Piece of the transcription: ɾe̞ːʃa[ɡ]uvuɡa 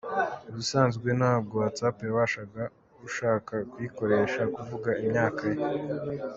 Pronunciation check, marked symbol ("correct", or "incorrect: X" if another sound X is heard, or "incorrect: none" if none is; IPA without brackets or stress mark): incorrect: k